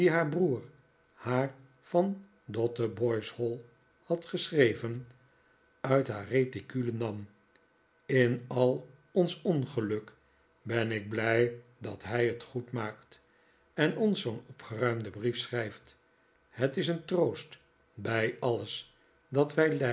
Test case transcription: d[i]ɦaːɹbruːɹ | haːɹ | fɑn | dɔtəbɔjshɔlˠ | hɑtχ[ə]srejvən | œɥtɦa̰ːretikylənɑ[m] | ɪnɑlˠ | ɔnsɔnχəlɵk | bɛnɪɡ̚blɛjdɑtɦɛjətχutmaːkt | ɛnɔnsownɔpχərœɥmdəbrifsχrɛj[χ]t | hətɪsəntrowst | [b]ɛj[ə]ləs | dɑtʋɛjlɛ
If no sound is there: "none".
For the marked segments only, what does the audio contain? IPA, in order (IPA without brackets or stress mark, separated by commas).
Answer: i, ə, m, f, b, ɑ